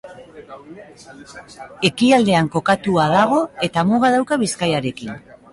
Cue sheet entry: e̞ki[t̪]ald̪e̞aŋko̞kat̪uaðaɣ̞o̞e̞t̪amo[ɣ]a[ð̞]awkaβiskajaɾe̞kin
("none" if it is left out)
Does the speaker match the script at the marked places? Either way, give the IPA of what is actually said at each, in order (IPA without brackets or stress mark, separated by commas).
none, ɣ, ð̞